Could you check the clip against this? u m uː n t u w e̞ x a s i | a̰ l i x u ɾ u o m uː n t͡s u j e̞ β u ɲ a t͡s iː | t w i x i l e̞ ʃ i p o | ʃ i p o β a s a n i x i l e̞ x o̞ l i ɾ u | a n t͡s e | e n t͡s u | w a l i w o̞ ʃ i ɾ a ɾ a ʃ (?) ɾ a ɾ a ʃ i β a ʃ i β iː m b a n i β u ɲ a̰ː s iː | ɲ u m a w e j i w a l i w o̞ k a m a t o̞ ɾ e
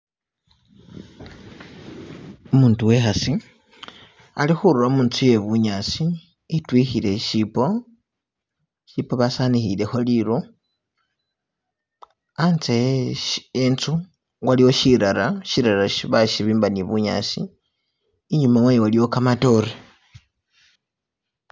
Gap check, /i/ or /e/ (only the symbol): i